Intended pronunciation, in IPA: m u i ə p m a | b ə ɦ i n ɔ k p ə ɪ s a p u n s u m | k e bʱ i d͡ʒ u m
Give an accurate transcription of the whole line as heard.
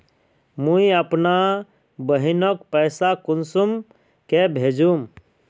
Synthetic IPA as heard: m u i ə p n a | b ə ɦ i n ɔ k p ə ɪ s a k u n s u m | k e bʱ e d͡ʒ u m